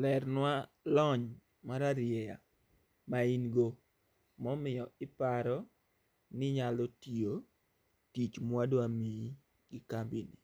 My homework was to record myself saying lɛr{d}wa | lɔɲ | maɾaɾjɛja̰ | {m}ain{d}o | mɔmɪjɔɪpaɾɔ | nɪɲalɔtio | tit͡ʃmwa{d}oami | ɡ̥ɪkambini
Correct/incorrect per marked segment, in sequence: incorrect: n, correct, incorrect: ɡ, correct

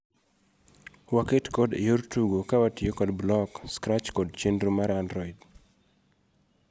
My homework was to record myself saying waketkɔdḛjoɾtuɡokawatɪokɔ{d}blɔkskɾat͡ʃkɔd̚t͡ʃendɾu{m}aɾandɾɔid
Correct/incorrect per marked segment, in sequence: correct, correct

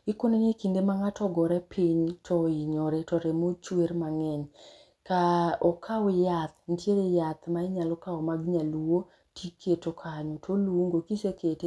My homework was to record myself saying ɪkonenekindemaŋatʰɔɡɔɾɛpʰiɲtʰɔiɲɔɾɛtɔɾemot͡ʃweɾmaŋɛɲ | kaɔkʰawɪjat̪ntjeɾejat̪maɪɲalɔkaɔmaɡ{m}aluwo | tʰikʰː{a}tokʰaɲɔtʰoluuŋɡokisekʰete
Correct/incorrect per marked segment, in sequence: incorrect: ɲ, incorrect: e

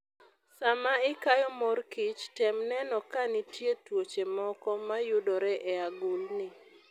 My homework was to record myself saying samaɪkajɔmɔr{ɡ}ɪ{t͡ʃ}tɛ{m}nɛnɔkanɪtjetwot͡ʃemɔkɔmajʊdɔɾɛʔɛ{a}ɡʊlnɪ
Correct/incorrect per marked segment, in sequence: incorrect: k, correct, correct, correct

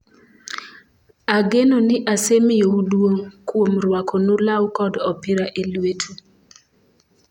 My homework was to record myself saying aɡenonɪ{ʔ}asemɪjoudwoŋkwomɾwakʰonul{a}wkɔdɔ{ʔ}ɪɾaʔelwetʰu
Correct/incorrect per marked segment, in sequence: correct, correct, incorrect: p

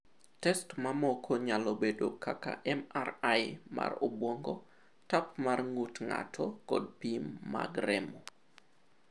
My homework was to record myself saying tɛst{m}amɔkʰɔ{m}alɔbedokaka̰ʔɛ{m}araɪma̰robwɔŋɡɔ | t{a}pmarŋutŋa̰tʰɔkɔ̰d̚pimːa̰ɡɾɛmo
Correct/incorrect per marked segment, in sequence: correct, incorrect: ɲ, correct, correct

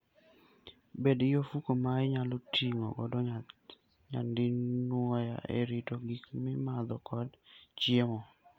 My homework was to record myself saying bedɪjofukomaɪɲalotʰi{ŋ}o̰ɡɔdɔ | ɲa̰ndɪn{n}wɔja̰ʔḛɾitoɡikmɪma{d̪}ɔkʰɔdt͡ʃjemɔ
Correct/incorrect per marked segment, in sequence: correct, correct, correct

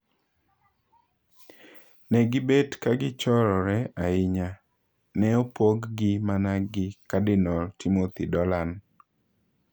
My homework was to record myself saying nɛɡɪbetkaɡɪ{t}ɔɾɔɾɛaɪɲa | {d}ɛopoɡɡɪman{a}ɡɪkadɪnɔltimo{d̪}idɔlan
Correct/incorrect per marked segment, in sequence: incorrect: t͡ʃ, incorrect: n, correct, incorrect: t̪

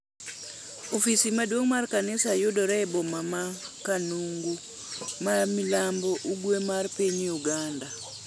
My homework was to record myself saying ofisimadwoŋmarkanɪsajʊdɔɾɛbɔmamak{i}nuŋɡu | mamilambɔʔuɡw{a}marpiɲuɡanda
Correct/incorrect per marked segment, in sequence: incorrect: a, incorrect: e

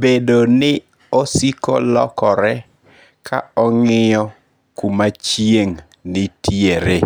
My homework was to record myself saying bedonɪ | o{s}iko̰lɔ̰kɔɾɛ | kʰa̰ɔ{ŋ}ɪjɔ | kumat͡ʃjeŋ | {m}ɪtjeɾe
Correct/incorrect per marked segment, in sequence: correct, correct, incorrect: n

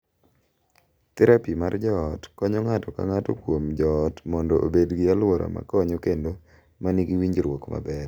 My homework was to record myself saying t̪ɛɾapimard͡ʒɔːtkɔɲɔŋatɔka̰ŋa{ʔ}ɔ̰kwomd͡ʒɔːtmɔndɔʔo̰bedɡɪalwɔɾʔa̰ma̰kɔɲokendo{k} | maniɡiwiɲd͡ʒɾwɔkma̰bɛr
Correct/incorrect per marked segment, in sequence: incorrect: t, incorrect: none

